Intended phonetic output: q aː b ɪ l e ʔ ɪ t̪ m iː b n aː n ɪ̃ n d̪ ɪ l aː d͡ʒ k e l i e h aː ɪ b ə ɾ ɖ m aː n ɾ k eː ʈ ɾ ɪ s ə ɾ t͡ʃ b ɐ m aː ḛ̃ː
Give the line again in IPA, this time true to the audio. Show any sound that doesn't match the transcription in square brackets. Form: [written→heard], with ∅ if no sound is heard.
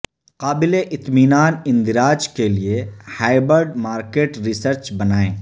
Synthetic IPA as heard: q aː b ɪ l e ʔ ɪ t̪ m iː [b→∅] n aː n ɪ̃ n d̪ ɪ [l→ɾ] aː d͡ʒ k e l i e h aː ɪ b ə ɾ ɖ m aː [n→∅] ɾ k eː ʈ ɾ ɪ s ə ɾ t͡ʃ b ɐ [m→n] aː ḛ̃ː